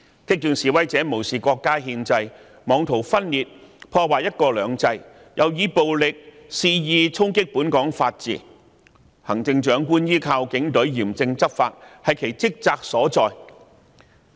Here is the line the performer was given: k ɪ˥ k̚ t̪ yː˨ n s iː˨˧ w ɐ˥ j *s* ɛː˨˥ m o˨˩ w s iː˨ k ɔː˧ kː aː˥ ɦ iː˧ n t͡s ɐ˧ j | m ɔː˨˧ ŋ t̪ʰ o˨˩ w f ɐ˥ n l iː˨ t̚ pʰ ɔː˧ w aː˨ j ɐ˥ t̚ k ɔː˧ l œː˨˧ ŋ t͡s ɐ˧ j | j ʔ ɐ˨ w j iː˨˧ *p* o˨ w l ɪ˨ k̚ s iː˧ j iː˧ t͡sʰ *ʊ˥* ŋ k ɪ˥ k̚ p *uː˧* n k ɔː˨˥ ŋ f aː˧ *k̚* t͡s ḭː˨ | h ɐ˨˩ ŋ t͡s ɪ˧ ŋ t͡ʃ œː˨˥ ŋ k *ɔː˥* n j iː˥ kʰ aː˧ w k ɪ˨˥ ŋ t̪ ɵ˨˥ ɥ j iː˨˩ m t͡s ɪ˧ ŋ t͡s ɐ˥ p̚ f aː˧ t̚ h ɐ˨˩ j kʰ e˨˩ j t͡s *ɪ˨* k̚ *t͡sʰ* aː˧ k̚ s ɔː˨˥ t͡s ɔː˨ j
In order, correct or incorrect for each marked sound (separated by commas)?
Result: incorrect, correct, correct, incorrect, incorrect, incorrect, incorrect, incorrect